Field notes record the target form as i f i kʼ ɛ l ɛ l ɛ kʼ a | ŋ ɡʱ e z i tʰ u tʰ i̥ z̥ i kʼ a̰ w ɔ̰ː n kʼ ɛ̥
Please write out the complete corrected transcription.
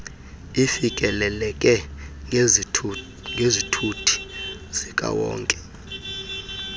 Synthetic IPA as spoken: i f i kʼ ɛ l ɛ l ɛ kʼ ɛ | ŋ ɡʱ e z i tʰ u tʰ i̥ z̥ i kʼ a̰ w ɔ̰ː ŋ kʼ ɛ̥